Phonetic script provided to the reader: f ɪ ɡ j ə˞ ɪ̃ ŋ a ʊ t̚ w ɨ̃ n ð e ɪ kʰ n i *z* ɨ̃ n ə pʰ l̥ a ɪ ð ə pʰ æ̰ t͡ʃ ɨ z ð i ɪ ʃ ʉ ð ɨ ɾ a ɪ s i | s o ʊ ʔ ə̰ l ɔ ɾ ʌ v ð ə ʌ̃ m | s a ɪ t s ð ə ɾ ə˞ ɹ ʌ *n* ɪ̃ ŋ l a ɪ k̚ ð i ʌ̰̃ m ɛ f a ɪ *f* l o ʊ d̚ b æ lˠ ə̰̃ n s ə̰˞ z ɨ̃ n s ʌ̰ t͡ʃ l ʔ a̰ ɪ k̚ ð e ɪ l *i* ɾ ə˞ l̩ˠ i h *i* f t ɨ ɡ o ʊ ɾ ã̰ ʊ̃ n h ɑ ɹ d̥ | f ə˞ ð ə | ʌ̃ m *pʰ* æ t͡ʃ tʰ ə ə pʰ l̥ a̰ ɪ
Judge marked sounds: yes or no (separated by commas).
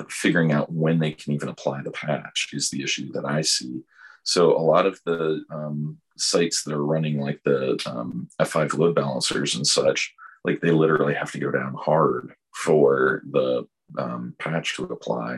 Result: no, yes, no, no, no, yes